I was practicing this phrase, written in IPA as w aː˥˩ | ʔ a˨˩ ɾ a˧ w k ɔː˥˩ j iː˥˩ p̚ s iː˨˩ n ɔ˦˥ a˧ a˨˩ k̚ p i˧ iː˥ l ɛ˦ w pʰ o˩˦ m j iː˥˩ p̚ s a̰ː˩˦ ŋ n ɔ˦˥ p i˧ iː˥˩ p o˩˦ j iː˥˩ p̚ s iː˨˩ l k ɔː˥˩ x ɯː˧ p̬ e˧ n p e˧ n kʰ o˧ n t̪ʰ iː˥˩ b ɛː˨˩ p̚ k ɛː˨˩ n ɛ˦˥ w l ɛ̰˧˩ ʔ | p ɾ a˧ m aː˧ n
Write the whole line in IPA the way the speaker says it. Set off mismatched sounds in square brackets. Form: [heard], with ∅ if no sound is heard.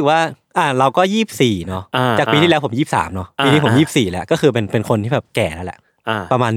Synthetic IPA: w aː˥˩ | ʔ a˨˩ ɾ a˧ w k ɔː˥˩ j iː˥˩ p̚ s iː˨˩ n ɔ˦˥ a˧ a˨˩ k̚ p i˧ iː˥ l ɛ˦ w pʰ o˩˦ m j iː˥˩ p̚ s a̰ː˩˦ [m] n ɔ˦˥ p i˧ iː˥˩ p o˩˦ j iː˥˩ p̚ s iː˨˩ l k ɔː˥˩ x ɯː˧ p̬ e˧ n p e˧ n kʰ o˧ n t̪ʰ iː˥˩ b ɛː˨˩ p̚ k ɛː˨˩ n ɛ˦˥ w l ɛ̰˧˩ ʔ | p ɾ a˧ m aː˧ n